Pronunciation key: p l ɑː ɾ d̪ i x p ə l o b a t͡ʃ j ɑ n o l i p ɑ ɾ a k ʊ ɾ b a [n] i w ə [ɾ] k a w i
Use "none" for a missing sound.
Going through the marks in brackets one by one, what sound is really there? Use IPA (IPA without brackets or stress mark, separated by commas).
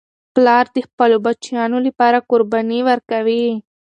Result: n, ɾ